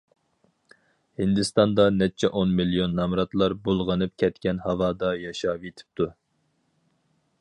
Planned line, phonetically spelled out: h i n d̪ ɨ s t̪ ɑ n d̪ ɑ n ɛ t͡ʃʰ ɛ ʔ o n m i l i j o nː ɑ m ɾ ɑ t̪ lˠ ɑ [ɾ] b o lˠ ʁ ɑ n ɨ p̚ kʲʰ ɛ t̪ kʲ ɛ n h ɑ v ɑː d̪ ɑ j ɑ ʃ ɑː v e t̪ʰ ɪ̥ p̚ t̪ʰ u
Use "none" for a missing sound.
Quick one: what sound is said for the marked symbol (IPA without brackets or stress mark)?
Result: ɾ